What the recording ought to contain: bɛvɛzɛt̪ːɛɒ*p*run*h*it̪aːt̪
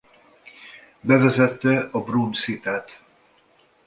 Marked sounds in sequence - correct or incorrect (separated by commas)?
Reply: incorrect, incorrect